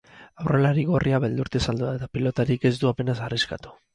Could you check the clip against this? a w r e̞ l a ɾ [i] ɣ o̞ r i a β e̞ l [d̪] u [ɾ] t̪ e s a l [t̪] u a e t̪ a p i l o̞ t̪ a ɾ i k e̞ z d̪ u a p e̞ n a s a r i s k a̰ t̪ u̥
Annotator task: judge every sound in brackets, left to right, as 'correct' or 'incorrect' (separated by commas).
correct, correct, correct, incorrect